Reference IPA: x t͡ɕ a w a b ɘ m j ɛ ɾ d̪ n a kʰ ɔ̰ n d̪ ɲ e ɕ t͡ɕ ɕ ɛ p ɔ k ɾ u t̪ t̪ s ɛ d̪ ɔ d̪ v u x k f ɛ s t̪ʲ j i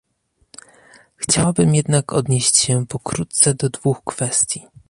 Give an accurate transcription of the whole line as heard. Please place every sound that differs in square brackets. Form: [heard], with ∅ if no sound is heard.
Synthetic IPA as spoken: x t͡ɕ a w a b ɘ m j ɛ [∅] d̪ n a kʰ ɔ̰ [∅] d̪ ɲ e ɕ t͡ɕ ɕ ɛ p ɔ k ɾ u t̪ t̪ s ɛ d̪ ɔ d̪ v u x k f ɛ s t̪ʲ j i